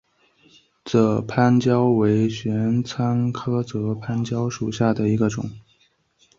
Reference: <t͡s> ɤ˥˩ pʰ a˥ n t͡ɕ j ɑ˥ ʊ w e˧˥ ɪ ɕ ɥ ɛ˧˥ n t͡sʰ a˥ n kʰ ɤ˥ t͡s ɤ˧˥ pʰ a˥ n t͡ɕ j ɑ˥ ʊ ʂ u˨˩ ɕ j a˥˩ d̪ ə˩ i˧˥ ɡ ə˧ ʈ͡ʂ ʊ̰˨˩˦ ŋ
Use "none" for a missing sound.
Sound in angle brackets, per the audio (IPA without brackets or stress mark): t͡s